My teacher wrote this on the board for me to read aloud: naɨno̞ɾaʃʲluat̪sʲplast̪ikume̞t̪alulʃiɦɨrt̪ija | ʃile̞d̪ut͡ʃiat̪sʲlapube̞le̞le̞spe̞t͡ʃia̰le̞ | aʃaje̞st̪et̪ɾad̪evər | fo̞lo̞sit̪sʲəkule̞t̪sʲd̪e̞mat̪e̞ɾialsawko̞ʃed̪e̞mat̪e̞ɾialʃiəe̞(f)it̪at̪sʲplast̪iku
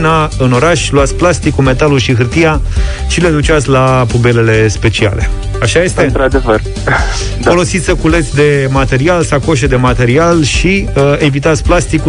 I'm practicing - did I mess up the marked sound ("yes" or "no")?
yes